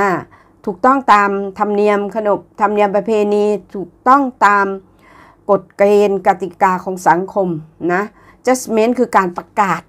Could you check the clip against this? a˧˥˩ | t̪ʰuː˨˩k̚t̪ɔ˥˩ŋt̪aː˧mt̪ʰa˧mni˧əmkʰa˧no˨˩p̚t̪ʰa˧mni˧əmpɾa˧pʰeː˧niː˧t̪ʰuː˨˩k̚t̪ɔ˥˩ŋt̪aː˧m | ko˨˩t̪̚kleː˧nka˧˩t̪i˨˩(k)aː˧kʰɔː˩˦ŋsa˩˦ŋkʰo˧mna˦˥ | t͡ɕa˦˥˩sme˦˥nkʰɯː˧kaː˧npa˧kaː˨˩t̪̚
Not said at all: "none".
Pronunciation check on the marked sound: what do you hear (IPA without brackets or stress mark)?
k